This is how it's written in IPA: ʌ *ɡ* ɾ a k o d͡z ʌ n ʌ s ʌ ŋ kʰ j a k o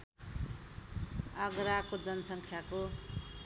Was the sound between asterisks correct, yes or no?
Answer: yes